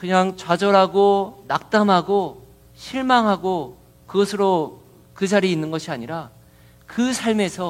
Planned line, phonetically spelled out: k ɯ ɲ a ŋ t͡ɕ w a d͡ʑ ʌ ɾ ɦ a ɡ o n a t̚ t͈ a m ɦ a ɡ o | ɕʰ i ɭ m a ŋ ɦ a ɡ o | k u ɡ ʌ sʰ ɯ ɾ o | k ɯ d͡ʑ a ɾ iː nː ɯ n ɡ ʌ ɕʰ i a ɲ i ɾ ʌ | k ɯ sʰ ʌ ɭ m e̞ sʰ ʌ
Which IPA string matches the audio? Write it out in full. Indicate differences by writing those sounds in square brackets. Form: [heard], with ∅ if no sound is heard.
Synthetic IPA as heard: k ɯ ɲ a ŋ t͡ɕ w a d͡ʑ ʌ ɾ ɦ a ɡ o n a [k̚] t͈ a m ɦ a ɡ o | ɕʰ i ɭ m a ŋ ɦ a ɡ o | k [ɯ] ɡ ʌ sʰ ɯ ɾ o | k ɯ d͡ʑ a ɾ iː nː ɯ n ɡ ʌ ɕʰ i a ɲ i ɾ [a] | k ɯ sʰ [a] ɭ m e̞ sʰ ʌ